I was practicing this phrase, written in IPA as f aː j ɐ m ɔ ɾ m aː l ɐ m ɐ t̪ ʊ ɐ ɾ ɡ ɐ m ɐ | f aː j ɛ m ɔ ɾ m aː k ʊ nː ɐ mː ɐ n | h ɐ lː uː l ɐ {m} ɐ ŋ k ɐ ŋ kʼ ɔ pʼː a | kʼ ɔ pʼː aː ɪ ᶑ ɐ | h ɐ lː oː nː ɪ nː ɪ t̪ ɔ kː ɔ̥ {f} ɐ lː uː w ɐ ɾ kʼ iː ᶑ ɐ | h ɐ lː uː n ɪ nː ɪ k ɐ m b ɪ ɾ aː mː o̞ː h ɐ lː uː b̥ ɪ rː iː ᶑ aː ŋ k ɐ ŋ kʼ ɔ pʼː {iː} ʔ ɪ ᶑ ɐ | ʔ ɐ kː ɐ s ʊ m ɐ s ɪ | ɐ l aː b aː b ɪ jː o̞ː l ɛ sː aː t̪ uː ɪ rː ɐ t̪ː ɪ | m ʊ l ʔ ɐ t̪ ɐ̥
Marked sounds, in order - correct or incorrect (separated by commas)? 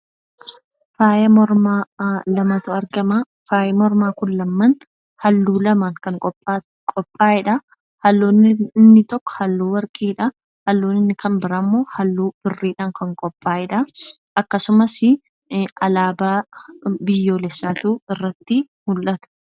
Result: correct, incorrect, incorrect